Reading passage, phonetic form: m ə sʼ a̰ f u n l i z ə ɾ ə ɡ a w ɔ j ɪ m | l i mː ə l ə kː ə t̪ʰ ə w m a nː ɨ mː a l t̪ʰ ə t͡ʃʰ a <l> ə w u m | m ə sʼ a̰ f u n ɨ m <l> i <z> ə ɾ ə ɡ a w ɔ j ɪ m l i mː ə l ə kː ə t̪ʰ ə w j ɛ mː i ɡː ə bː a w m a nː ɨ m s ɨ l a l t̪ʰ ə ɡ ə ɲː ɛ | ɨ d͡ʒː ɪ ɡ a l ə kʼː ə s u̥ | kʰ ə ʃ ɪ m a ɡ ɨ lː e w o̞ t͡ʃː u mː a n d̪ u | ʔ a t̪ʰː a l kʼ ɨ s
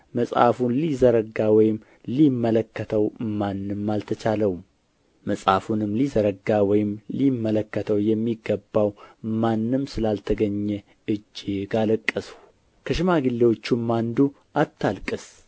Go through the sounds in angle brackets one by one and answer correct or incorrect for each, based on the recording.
correct, correct, correct

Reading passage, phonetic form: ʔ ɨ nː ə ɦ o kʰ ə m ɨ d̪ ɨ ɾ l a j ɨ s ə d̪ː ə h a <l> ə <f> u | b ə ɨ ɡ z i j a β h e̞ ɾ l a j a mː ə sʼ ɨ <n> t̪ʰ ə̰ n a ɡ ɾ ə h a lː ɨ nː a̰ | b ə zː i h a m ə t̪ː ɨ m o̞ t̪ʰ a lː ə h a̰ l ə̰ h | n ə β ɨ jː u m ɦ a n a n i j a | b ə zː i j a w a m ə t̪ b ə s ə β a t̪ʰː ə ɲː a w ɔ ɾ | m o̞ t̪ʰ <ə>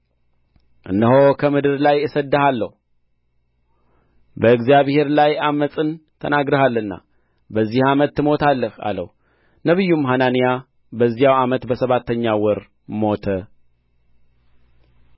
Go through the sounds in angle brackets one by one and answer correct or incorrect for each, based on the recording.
incorrect, incorrect, correct, correct

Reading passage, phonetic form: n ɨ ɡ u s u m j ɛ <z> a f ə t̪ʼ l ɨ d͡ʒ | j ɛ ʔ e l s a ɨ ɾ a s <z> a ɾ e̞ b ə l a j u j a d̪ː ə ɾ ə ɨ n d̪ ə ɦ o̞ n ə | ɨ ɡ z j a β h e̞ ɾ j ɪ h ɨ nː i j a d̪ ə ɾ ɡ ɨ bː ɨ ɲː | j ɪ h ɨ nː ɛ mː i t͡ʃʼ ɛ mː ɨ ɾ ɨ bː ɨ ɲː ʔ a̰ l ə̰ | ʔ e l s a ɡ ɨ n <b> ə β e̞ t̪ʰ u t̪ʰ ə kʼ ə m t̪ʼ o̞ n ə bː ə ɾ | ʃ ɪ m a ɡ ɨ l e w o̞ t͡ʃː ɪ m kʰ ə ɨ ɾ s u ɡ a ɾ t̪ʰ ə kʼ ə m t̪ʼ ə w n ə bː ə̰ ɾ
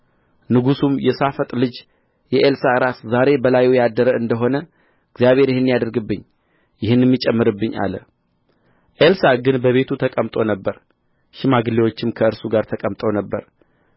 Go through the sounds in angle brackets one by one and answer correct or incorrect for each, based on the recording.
incorrect, correct, correct

